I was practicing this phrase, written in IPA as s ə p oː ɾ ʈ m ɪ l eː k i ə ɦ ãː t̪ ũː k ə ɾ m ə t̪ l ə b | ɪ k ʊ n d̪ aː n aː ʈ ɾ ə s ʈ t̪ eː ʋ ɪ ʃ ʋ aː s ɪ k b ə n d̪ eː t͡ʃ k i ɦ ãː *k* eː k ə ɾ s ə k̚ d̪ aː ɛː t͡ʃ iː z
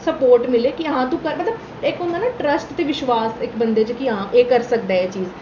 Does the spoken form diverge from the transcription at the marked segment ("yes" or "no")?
yes